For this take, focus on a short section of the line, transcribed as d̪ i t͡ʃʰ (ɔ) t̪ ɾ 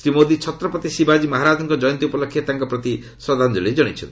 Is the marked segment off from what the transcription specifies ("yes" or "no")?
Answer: no